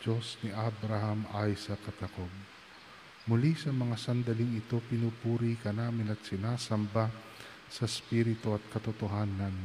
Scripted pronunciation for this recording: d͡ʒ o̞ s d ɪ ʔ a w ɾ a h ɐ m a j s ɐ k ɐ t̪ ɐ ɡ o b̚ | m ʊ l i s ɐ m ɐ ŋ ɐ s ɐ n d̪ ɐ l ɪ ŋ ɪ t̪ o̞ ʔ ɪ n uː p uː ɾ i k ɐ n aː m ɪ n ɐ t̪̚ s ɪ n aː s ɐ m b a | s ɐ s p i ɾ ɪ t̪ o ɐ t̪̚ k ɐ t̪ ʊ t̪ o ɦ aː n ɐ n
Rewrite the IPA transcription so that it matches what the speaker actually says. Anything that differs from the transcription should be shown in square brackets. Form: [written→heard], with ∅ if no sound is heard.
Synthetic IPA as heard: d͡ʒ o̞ s [d→n] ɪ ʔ a [w→b] ɾ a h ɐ m a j s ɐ k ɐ t̪ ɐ [ɡ→k] o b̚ | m ʊ l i s ɐ m ɐ ŋ [ɐ→a] s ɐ n d̪ ɐ l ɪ ŋ ɪ t̪ o̞ [ʔ→p] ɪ n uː p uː ɾ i k ɐ n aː m ɪ n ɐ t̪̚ s ɪ n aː s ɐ m b a | s ɐ s p i ɾ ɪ t̪ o ɐ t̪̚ k ɐ t̪ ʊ t̪ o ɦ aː n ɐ n